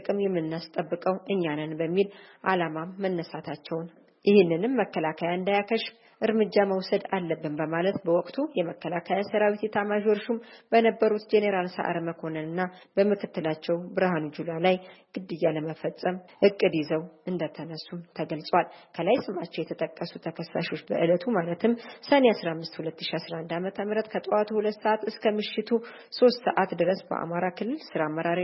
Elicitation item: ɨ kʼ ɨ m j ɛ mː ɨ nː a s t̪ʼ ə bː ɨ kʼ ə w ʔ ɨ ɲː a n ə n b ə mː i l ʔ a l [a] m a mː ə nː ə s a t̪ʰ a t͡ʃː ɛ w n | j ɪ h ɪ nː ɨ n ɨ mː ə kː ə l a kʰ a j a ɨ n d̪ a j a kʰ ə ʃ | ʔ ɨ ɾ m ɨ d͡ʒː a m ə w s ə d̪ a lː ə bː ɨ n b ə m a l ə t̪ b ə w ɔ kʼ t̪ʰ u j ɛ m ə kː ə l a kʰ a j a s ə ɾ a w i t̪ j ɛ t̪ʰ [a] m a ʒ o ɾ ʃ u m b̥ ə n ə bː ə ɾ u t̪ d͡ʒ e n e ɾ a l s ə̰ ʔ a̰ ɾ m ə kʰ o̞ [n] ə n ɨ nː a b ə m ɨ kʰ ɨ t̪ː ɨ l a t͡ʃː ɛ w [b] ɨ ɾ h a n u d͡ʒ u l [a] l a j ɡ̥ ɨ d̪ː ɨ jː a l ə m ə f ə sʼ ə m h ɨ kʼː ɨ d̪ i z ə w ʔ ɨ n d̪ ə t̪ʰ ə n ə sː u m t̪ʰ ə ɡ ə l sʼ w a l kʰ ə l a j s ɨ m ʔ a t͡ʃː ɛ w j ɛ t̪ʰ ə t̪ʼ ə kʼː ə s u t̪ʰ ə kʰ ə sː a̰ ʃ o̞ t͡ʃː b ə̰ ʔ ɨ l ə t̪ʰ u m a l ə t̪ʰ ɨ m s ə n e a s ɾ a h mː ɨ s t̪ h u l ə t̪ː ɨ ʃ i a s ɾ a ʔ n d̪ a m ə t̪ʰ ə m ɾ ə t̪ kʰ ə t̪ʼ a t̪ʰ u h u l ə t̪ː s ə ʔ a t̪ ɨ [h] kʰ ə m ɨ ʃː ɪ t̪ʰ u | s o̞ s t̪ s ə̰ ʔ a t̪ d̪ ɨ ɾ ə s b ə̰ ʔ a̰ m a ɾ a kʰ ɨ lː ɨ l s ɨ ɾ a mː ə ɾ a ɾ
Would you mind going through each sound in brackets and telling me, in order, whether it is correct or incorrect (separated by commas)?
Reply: correct, correct, correct, correct, correct, incorrect